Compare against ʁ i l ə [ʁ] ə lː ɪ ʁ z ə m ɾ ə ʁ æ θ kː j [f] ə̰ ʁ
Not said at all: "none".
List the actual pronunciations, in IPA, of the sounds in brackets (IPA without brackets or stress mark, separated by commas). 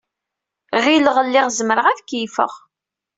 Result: ʁ, f